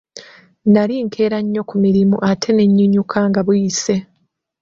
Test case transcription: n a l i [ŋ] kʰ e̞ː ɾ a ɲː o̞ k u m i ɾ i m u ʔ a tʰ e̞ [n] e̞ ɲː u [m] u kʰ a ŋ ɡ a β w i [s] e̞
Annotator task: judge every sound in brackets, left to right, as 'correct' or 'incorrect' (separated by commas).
correct, correct, incorrect, correct